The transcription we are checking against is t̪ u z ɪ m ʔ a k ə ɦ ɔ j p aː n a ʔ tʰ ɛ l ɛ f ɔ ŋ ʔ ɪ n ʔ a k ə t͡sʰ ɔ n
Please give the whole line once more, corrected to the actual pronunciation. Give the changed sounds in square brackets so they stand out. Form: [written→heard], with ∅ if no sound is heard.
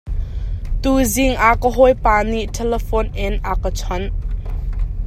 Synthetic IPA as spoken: t̪ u z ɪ [m→ŋ] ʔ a k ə ɦ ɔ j p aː n [a→i] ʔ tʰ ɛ l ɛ f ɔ [ŋ→n] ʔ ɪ n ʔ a k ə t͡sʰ ɔ n